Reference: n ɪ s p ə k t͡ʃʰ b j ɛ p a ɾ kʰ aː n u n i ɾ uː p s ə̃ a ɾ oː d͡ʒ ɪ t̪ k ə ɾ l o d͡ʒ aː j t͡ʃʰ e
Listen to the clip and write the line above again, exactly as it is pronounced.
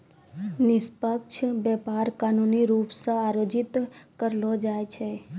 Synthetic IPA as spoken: n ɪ s p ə k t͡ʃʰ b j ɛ p a ɾ k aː n u n i ɾ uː p s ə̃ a ɾ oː d͡ʒ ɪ t̪ k ə ɾ l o d͡ʒ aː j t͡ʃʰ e